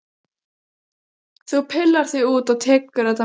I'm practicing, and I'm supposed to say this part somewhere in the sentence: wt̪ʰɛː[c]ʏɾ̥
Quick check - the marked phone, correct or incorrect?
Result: incorrect